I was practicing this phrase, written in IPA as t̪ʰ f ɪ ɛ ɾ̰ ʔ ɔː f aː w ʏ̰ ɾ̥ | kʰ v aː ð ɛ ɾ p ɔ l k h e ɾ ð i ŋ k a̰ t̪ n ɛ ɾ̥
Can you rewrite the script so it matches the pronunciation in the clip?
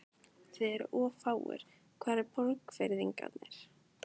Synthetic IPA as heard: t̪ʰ v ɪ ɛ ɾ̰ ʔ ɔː f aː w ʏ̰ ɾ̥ | kʰ v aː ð ɛ ɾ p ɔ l k f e ɾ ð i ŋ k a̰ t̪ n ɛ ɾ̥